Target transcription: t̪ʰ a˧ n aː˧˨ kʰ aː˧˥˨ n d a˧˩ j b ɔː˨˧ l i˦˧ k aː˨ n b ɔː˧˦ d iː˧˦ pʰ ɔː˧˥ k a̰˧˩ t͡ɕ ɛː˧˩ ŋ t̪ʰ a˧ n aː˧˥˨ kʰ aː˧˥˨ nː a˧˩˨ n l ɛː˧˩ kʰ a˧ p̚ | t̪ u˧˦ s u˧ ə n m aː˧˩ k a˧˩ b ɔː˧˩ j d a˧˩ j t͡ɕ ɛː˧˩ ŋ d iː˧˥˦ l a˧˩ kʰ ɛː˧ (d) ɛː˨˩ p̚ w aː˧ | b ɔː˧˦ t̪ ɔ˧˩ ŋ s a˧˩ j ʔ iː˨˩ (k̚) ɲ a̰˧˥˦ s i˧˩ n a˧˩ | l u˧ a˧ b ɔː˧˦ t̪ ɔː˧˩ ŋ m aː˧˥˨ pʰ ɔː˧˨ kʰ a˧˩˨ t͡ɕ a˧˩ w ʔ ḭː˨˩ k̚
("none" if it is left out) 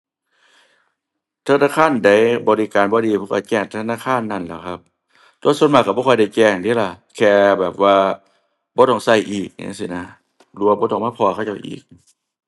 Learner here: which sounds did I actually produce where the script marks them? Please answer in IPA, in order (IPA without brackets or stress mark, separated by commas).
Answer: b, k̚